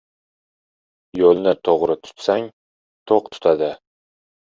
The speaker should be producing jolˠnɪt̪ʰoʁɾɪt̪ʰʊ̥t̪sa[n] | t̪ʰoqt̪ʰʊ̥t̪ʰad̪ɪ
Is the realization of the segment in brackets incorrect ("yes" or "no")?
yes